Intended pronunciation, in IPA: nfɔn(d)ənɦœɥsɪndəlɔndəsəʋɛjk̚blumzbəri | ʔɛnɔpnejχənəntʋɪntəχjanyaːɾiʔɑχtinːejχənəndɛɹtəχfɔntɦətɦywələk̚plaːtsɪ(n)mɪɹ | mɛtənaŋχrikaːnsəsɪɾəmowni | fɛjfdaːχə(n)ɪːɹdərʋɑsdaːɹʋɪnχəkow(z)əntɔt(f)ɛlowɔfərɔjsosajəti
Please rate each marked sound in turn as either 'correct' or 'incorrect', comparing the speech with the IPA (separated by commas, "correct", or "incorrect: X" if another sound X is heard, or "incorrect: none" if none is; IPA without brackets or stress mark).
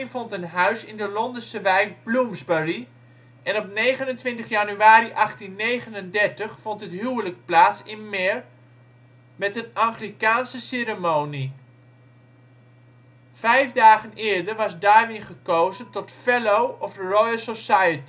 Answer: incorrect: t, correct, correct, correct, correct